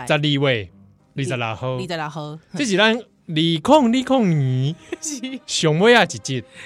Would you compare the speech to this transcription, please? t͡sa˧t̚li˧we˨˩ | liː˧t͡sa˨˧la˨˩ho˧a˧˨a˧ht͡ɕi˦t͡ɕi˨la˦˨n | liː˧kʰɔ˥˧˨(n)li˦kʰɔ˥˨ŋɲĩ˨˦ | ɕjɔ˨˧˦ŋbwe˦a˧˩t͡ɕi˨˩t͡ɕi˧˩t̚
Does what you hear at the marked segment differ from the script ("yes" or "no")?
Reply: yes